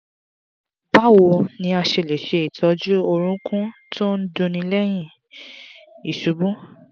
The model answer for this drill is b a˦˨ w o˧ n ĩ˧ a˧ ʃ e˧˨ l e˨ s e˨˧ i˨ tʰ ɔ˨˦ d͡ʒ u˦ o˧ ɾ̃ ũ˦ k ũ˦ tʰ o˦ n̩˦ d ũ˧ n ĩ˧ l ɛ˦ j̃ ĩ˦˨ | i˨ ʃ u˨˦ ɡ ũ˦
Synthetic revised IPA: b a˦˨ w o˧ n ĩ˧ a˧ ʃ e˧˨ l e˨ ʃ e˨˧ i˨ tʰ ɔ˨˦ d͡ʒ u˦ o˧ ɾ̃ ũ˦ k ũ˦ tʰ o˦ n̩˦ d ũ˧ n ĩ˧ l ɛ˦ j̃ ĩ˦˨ | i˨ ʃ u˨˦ b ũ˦